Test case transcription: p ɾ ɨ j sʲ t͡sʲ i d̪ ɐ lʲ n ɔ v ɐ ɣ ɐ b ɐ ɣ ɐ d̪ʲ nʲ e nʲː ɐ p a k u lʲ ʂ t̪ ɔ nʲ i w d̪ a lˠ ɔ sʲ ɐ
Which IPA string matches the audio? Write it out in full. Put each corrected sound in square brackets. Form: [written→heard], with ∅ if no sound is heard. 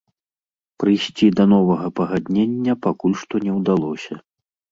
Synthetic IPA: p ɾ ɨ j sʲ t͡sʲ i d̪ ɐ [lʲ→∅] n ɔ v ɐ ɣ ɐ [b→p] ɐ ɣ [ɐ→a] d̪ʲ nʲ e nʲː ɐ p a k u lʲ ʂ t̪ ɔ nʲ [i→ɛ] w d̪ a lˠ ɔ sʲ ɐ